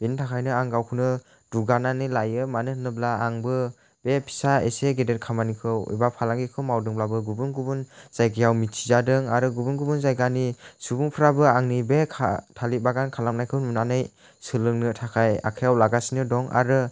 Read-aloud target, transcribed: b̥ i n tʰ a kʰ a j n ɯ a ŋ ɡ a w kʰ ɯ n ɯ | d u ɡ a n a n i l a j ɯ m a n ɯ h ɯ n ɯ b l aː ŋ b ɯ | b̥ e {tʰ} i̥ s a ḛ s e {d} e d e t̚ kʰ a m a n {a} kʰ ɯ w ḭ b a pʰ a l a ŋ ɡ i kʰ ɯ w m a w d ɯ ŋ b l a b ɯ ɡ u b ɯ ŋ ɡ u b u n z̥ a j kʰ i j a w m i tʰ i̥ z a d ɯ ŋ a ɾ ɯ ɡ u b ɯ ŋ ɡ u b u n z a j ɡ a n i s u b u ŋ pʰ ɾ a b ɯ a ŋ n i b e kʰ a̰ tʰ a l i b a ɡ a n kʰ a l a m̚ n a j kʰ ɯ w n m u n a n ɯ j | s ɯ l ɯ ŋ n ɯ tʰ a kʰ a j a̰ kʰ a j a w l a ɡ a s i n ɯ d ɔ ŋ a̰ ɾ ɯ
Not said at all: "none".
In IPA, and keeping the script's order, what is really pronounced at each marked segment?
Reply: pʰ, ɡ, i

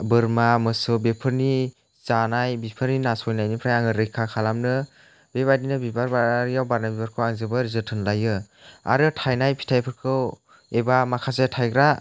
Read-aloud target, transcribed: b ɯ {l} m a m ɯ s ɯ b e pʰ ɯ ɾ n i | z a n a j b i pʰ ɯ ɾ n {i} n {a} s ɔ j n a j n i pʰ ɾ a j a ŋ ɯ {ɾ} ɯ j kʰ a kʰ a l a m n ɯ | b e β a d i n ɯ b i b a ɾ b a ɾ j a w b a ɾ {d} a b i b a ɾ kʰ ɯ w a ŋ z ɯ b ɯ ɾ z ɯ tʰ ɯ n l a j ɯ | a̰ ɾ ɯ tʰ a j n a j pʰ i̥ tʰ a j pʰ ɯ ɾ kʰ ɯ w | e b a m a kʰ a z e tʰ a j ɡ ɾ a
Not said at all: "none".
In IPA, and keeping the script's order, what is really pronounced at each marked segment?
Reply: ɾ, i, a, ɾ, n

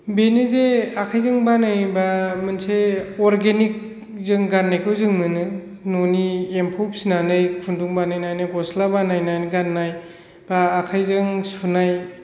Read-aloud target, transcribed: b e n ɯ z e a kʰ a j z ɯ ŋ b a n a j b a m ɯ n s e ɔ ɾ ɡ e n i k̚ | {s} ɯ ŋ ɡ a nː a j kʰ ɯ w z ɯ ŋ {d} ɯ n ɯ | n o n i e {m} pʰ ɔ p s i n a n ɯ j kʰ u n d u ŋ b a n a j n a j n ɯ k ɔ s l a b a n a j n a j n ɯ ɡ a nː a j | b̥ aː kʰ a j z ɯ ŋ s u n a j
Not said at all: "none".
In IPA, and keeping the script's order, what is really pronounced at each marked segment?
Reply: z, n, m

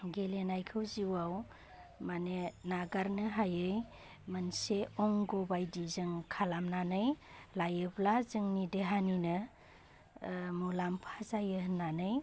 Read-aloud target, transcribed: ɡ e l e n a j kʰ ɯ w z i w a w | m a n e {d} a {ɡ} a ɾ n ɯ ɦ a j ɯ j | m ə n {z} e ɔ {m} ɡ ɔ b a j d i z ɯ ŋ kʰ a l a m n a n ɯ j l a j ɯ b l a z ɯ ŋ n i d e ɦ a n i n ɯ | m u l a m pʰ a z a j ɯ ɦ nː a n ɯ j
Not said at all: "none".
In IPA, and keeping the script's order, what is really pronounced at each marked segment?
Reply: n, ɡ, s, ŋ

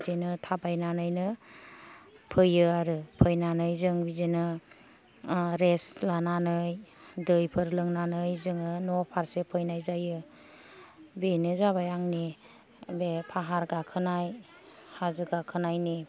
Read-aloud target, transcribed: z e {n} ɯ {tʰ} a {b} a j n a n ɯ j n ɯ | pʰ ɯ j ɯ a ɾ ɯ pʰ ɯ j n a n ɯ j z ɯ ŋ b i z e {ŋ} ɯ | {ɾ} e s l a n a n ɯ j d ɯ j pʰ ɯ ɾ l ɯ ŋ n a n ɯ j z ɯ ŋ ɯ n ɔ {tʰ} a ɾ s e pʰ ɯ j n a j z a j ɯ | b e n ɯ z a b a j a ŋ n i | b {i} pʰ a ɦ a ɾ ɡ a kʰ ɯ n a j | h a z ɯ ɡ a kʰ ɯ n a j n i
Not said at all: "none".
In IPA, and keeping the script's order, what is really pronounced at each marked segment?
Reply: n, tʰ, b, n, ɾ, pʰ, e

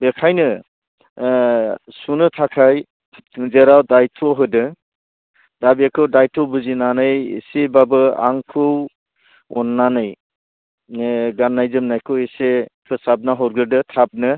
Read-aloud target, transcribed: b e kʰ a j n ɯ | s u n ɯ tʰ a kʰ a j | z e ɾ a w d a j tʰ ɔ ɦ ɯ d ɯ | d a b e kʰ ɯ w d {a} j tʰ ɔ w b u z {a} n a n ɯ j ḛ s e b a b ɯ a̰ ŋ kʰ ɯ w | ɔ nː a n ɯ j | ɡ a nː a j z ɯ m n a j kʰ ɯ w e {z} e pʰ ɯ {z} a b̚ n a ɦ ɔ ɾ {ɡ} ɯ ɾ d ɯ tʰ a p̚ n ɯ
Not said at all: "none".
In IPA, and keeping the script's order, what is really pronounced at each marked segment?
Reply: a, i, s, s, ɡ

